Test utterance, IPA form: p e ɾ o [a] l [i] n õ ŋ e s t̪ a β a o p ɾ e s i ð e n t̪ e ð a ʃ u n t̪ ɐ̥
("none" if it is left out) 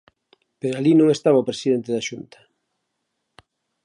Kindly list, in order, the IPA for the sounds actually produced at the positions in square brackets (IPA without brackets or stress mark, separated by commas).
a, i